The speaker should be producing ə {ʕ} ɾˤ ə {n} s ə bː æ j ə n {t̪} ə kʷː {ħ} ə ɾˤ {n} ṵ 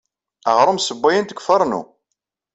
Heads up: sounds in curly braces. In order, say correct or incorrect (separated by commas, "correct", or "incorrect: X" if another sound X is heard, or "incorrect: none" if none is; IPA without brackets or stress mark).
incorrect: ʁ, incorrect: m, correct, incorrect: f, correct